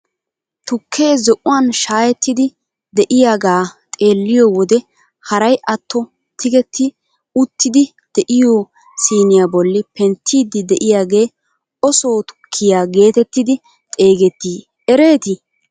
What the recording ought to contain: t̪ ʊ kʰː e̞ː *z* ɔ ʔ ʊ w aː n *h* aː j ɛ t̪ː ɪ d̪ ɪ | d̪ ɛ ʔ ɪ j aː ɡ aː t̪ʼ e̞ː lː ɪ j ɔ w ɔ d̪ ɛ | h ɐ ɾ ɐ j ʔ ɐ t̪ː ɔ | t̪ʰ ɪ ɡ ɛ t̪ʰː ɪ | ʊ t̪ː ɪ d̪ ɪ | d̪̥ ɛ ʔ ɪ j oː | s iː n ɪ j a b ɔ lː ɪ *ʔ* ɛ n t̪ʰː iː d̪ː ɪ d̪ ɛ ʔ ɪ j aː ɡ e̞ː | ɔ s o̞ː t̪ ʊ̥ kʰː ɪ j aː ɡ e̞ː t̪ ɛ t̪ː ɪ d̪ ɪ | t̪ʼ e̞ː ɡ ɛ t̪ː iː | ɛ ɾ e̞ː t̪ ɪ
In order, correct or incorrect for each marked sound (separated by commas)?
correct, incorrect, incorrect